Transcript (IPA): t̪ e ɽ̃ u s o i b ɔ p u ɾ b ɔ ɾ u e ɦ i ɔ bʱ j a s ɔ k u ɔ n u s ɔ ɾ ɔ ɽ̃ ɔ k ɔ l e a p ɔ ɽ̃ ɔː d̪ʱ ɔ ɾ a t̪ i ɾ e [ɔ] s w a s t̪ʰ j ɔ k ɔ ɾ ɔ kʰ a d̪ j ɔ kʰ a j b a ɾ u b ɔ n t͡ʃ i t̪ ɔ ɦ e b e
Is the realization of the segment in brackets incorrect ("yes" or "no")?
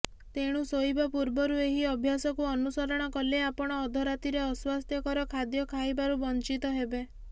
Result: no